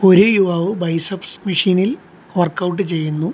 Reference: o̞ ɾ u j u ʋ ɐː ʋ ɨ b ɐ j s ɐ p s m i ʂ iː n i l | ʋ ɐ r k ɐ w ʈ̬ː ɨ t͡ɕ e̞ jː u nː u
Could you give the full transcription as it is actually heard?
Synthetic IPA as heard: o̞ ɾ u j u ʋ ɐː ʋ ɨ b ɐ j s ɐ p s m i ʂ iː n i l | ʋ ɐ r k ɐ w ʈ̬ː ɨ t͡ɕ e̞ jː u nː u